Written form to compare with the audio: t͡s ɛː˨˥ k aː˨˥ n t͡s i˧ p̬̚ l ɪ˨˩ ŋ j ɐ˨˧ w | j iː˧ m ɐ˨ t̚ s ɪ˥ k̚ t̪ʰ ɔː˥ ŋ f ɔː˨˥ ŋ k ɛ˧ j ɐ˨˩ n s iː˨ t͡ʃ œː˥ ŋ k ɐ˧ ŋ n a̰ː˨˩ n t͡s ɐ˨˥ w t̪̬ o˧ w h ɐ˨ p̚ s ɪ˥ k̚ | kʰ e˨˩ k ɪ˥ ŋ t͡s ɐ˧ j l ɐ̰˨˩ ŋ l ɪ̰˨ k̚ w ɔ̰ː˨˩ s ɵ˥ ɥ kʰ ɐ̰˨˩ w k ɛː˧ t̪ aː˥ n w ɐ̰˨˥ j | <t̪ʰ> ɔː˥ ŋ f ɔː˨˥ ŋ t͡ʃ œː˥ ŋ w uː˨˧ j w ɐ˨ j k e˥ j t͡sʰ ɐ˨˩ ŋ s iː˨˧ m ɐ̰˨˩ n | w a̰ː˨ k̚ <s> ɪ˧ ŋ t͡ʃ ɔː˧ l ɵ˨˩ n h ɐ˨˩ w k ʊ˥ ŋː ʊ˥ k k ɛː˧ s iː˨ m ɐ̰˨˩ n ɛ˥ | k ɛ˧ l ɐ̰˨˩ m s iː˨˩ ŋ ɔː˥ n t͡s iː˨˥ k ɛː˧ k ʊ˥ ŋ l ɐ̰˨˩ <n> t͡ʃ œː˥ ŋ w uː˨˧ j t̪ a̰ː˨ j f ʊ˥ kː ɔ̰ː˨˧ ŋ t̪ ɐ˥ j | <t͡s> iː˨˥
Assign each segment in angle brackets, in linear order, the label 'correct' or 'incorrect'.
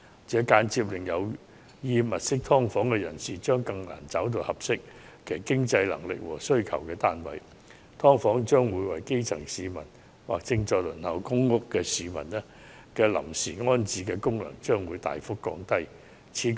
correct, incorrect, incorrect, incorrect

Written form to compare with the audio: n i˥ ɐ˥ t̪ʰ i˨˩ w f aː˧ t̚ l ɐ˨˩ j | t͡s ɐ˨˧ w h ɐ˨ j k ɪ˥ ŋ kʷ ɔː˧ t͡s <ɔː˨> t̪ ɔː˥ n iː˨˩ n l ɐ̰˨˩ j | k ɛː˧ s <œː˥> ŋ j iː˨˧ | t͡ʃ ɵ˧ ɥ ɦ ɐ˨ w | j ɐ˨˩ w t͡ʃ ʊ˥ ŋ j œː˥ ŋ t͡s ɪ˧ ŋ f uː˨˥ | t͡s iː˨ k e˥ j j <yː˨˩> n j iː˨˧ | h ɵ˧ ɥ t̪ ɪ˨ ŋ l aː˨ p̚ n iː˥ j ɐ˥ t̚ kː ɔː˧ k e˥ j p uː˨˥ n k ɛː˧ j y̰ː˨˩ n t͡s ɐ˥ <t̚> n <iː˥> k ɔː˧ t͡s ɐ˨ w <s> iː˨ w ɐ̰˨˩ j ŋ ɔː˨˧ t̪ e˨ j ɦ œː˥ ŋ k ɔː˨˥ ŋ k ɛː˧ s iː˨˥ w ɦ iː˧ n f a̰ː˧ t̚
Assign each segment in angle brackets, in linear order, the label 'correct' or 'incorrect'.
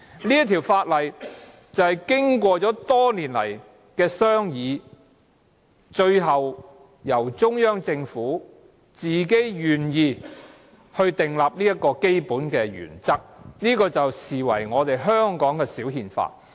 incorrect, correct, correct, incorrect, correct, correct

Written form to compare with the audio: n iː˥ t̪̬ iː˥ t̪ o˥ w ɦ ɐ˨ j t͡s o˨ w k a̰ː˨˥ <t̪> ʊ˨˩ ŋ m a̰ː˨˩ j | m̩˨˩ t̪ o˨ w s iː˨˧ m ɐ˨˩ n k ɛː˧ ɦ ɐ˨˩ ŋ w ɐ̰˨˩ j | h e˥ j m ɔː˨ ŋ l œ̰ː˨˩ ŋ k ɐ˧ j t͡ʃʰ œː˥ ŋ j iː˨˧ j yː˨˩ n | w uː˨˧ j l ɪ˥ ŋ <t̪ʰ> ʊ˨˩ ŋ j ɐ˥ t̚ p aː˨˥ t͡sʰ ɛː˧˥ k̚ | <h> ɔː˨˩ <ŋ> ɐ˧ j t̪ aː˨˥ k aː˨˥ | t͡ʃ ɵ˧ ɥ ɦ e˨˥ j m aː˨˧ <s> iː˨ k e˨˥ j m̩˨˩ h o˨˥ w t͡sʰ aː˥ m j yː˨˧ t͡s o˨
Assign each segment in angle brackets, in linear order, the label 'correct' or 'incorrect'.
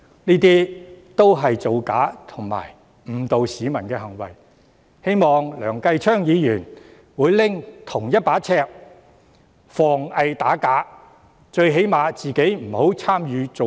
incorrect, correct, incorrect, correct, incorrect

